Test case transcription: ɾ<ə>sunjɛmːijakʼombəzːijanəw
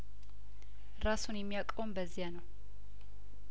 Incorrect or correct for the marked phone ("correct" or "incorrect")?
incorrect